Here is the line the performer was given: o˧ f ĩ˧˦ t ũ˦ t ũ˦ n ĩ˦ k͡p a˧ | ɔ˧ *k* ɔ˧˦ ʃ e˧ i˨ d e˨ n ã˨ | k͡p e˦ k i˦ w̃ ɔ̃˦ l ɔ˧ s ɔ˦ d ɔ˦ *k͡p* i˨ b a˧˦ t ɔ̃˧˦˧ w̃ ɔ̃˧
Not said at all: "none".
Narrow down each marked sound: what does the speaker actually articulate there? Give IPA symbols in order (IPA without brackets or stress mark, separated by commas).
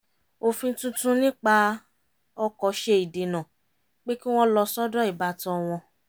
k, none